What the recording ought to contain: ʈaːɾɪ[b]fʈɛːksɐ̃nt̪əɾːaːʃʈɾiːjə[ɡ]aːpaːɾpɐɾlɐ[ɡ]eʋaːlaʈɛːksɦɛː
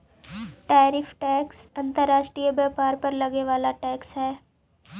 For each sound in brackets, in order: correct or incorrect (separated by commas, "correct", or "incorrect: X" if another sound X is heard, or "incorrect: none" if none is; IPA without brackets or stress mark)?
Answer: incorrect: none, incorrect: b, correct